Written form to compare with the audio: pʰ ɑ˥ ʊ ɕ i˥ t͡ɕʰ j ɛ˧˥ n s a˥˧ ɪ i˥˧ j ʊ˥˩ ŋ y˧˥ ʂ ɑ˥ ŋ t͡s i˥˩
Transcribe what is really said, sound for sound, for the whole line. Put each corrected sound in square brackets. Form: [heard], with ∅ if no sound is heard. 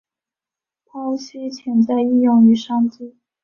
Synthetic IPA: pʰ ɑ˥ ʊ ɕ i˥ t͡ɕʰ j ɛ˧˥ n [t͡s] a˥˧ ɪ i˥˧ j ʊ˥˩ ŋ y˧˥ ʂ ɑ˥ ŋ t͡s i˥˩

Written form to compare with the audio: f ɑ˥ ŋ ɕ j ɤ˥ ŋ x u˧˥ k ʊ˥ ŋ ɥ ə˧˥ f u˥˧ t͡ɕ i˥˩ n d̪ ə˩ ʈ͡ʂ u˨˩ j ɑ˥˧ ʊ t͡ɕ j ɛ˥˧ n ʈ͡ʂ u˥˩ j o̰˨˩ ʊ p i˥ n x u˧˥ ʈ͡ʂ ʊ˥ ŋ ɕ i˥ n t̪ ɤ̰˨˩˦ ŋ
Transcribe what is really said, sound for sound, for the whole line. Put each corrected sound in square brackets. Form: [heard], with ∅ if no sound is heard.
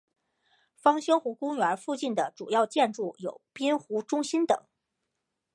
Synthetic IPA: f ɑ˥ ŋ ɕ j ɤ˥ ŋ x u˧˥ k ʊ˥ ŋ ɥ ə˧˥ f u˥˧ t͡ɕ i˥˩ n d̪ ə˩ ʈ͡ʂ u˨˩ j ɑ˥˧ ʊ t͡ɕ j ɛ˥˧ n ʈ͡ʂ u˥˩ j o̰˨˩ ʊ p i˥ n x u˧˥ ʈ͡ʂ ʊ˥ ŋ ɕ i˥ n t̪ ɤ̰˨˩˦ ŋ

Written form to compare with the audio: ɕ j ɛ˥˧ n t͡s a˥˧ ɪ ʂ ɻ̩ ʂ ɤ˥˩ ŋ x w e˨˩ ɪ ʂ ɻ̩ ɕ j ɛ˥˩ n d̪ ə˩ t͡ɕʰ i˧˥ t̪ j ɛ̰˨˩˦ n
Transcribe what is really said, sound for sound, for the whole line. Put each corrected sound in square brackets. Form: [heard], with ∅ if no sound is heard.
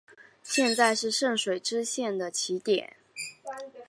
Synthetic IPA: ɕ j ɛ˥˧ n t͡s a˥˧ ɪ ʂ ɻ̩ ʂ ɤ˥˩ ŋ [ʂ] w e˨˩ ɪ [ʈ͡ʂ] ɻ̩ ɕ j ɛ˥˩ n d̪ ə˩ t͡ɕʰ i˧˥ t̪ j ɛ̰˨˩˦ n

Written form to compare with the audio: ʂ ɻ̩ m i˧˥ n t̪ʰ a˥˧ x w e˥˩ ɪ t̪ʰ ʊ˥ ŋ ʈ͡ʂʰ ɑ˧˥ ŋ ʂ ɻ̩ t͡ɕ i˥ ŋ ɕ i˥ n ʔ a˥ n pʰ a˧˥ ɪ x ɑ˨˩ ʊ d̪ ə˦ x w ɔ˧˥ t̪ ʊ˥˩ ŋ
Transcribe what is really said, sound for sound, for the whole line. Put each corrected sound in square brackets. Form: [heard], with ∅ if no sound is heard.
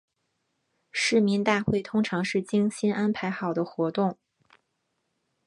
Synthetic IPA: ʂ ɻ̩ m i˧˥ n [t̪] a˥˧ x w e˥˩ ɪ t̪ʰ ʊ˥ ŋ ʈ͡ʂʰ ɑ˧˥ ŋ ʂ ɻ̩ t͡ɕ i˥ ŋ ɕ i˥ n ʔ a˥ n pʰ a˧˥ ɪ x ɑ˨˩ ʊ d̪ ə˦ x w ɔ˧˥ t̪ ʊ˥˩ ŋ

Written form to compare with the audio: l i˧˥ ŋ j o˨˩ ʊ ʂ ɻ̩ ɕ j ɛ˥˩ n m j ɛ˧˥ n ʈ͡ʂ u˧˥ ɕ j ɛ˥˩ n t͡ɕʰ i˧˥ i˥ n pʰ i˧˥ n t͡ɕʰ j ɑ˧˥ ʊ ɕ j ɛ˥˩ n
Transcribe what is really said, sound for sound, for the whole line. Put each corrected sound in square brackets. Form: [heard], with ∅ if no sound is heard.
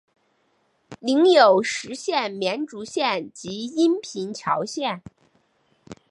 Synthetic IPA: l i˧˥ ŋ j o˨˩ ʊ ʂ ɻ̩ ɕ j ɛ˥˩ n m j ɛ˧˥ n ʈ͡ʂ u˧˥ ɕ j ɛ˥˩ n [t͡ɕ] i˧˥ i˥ n pʰ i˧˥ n t͡ɕʰ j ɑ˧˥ ʊ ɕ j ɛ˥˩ n

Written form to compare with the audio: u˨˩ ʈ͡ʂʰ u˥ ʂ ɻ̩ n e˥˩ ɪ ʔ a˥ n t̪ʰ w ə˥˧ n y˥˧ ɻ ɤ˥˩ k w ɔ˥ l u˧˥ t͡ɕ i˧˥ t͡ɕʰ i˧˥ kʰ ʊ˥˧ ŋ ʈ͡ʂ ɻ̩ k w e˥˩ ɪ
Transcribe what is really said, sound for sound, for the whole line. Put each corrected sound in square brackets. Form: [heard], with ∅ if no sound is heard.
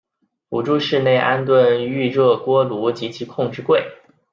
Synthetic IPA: u˨˩ [ʈ͡ʂ] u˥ ʂ ɻ̩ n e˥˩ ɪ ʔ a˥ n [t̪] w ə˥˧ n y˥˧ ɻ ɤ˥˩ k w ɔ˥ l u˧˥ t͡ɕ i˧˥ t͡ɕʰ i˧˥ kʰ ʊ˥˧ ŋ ʈ͡ʂ ɻ̩ k w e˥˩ ɪ

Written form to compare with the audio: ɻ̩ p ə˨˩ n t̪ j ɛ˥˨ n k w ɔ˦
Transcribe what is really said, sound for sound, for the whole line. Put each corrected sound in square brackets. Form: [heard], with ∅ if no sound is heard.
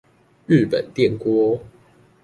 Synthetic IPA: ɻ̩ p ə˨˩ n t̪ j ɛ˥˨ n k w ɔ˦

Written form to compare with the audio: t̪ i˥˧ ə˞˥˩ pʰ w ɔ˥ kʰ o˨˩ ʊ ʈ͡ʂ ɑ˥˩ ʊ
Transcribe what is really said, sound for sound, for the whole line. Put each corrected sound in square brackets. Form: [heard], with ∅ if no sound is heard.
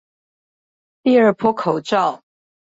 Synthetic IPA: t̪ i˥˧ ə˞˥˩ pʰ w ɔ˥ kʰ o˨˩ ʊ ʈ͡ʂ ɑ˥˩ ʊ

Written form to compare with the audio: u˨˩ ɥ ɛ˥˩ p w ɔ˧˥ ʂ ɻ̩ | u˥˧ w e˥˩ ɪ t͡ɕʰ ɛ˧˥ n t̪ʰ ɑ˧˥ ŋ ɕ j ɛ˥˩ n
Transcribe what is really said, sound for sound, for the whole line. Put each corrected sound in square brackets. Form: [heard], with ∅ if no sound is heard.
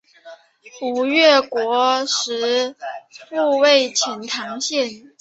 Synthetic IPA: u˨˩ ɥ ɛ˥˩ [k] w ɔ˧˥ ʂ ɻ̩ | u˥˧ w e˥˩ ɪ t͡ɕʰ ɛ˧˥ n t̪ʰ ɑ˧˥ ŋ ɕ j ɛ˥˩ n

